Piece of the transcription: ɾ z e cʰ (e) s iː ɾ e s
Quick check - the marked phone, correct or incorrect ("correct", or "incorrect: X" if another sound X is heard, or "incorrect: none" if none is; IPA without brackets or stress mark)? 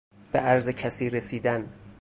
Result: incorrect: æ